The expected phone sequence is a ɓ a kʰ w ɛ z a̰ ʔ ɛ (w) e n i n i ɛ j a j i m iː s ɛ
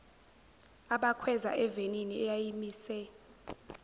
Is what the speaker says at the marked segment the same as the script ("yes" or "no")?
no